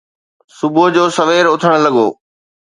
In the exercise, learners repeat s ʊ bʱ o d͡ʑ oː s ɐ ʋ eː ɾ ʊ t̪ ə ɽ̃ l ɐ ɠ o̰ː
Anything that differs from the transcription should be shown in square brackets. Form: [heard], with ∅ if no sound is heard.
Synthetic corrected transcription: s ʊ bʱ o d͡ʑ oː s ɐ ʋ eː ɾ ʊ [t̪ʰ] ə ɽ̃ l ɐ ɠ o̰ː

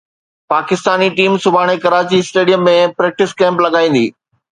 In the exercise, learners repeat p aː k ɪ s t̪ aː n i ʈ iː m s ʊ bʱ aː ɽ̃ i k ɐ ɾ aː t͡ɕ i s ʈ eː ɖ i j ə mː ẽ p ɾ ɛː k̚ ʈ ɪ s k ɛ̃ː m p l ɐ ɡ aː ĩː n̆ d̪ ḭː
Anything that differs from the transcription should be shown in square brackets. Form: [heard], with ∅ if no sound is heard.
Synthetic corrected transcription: p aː k ɪ s t̪ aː n i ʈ iː m s ʊ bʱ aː ɽ̃ [e] k ɐ ɾ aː t͡ɕ i s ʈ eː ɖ i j ə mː ẽ p ɾ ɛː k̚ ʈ ɪ s k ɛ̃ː m p l ɐ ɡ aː ĩː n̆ d̪ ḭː

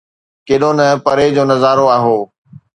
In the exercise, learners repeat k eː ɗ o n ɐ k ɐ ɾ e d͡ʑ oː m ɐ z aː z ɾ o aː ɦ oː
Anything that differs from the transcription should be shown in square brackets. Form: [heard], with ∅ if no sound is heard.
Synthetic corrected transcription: k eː ɗ o n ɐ [p] ɐ ɾ e d͡ʑ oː [n] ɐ z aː [∅] ɾ o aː ɦ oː

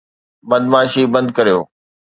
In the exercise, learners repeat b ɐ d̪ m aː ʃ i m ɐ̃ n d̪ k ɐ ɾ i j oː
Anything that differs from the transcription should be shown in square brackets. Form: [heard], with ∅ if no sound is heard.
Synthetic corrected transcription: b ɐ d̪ m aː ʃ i [b] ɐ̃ n d̪ k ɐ ɾ i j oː

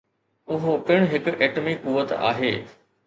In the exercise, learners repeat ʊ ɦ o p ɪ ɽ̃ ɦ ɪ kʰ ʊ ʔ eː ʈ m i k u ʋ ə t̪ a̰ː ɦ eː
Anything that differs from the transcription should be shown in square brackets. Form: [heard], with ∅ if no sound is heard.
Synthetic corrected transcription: ʊ ɦ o p ɪ ɽ̃ ɦ ɪ [k] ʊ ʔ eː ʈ m i k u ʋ ə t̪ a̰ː ɦ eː

